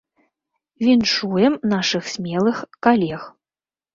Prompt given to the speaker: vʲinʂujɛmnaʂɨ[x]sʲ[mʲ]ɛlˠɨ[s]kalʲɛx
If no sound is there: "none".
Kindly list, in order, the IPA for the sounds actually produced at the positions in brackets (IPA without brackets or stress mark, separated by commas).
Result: x, mʲ, x